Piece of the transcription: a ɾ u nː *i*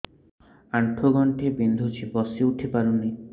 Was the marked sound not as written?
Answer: no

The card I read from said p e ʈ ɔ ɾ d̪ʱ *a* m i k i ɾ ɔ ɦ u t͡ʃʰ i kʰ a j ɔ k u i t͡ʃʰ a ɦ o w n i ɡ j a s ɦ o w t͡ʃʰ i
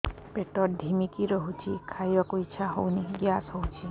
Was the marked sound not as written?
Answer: yes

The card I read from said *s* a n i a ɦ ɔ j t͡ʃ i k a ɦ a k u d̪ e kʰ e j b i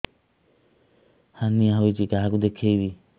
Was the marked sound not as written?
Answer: yes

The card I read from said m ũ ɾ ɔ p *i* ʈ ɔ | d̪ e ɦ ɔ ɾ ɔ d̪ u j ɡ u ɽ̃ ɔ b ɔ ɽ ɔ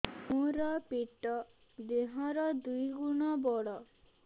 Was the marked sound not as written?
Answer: no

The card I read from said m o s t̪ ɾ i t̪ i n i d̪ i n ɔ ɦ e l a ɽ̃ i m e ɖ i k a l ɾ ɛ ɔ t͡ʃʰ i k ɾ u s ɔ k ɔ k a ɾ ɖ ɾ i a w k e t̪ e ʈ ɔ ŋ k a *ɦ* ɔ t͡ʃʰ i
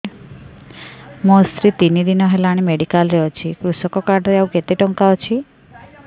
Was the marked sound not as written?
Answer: yes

